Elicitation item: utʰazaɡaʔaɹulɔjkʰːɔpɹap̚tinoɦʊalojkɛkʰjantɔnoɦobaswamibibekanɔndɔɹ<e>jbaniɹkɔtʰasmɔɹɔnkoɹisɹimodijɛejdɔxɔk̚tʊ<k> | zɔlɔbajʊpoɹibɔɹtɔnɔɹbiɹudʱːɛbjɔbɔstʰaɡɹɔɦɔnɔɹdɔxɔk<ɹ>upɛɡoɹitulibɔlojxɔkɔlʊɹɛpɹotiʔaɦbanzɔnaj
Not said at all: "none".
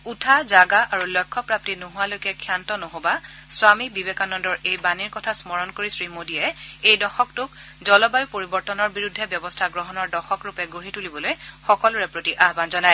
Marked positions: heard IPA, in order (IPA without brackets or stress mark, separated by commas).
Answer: e, k, ɹ